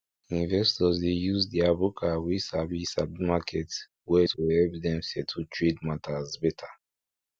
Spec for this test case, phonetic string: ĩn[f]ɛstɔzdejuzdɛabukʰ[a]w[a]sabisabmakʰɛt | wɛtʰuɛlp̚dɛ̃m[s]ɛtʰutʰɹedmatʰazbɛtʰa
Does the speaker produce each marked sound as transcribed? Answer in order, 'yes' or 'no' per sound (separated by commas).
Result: no, yes, no, yes